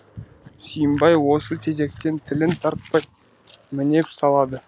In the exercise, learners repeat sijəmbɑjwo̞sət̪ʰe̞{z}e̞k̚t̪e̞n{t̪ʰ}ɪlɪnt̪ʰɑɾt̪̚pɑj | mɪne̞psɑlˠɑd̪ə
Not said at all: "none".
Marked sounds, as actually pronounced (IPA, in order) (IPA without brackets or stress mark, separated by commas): z, t̪ʰ